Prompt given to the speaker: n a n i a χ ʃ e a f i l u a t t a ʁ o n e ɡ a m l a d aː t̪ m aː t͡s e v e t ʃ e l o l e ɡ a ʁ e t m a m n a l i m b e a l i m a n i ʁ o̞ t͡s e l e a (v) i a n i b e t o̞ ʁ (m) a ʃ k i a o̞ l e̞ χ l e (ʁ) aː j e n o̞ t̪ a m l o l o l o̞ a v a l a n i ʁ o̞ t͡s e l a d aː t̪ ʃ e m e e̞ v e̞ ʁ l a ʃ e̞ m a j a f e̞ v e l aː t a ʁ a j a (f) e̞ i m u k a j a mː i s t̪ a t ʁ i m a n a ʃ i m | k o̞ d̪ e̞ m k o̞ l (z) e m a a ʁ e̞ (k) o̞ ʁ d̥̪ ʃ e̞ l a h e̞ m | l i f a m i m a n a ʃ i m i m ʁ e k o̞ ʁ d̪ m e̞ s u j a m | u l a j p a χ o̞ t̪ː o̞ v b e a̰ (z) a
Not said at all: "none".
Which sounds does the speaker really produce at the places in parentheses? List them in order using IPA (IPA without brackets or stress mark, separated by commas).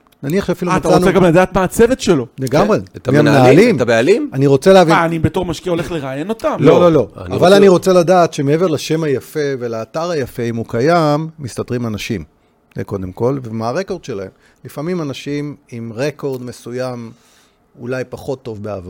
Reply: v, m, ʁ, f, v, k, v